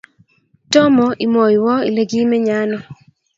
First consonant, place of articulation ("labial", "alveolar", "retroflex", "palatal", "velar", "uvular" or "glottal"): alveolar